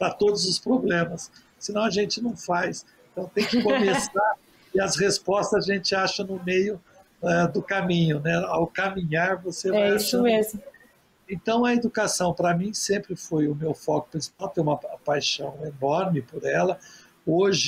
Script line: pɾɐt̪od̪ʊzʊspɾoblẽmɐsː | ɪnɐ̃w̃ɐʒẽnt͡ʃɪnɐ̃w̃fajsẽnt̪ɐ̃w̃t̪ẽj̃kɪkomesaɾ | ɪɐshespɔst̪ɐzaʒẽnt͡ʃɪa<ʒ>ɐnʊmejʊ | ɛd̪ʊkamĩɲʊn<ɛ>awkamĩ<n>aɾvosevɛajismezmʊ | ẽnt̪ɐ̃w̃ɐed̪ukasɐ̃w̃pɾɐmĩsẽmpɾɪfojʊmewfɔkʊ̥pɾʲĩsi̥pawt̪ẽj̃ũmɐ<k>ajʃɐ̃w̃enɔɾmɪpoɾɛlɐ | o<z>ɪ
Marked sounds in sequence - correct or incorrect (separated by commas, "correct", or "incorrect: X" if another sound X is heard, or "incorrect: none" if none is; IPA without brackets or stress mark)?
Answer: incorrect: ʃ, correct, incorrect: ɲ, incorrect: p, incorrect: ʒ